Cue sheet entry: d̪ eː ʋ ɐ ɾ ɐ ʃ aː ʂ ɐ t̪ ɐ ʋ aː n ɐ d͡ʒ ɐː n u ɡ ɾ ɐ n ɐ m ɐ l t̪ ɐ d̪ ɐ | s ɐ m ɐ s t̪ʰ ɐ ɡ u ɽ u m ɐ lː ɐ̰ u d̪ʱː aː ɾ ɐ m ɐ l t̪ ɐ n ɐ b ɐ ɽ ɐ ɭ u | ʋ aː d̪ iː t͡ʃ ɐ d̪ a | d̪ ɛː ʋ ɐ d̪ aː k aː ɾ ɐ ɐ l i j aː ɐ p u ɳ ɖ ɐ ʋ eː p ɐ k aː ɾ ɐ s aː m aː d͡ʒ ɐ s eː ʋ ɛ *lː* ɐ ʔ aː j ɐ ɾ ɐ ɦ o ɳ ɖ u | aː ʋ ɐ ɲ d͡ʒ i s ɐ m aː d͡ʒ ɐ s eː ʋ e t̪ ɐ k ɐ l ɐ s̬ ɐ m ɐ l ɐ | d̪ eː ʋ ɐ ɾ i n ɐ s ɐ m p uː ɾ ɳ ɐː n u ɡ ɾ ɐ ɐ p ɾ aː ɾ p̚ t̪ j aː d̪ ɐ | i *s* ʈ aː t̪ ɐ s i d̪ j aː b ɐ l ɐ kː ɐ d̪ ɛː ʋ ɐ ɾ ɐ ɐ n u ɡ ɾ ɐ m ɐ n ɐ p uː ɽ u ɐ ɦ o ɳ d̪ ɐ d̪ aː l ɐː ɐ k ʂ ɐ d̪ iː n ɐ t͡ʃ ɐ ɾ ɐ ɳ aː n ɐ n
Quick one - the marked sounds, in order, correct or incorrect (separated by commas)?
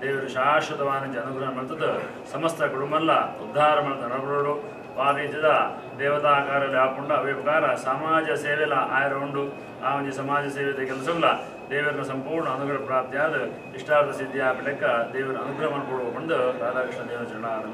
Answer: incorrect, incorrect